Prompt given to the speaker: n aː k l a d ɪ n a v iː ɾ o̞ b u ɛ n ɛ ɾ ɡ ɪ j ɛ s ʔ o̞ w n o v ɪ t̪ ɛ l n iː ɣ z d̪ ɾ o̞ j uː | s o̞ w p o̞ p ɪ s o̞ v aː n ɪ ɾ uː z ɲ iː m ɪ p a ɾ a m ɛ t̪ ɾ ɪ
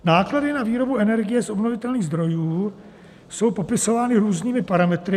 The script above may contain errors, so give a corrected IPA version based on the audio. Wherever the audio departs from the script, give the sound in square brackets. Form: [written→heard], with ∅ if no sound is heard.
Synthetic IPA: n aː k l a d ɪ n a v iː ɾ o̞ b u ɛ n ɛ ɾ ɡ ɪ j ɛ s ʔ o̞ [w→b] n o v ɪ t̪ ɛ l n iː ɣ z d̪ ɾ o̞ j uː | s o̞ w p o̞ p ɪ s o̞ v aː n ɪ ɾ uː z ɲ iː m ɪ p a ɾ a m ɛ t̪ ɾ ɪ